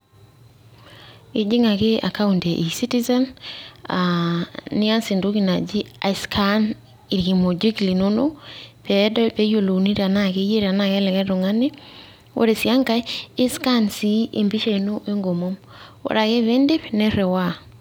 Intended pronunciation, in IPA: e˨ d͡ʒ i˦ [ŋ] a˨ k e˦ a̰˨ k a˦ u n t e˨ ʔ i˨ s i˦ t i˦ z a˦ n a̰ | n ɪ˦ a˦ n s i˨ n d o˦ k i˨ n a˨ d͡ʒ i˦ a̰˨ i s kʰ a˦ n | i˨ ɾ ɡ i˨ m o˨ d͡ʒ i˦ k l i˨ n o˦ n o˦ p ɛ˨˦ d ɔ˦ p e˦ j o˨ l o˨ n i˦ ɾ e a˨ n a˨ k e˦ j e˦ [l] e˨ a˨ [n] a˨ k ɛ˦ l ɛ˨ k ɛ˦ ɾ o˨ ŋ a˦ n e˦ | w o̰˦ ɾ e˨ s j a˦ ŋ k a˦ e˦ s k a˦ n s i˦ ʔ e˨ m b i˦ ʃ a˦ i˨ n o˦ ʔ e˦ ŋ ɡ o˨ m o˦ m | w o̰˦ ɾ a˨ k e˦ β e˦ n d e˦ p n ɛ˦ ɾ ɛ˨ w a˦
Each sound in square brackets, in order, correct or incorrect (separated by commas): correct, incorrect, correct